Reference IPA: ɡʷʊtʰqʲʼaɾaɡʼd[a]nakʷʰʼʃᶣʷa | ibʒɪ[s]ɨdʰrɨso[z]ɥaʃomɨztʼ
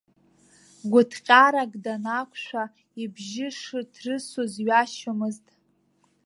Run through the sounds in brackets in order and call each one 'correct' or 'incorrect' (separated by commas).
correct, incorrect, correct